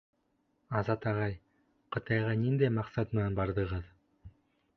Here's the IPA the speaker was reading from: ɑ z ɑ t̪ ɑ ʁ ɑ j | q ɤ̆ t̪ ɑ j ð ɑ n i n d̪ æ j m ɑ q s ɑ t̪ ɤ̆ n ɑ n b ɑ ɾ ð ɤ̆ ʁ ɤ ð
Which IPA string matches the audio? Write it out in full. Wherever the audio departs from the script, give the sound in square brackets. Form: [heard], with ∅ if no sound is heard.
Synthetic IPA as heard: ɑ z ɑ t̪ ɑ ʁ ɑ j | q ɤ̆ t̪ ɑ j [ʁ] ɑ n i n d̪ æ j m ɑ q s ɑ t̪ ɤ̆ n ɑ n b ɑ ɾ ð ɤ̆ ʁ ɤ ð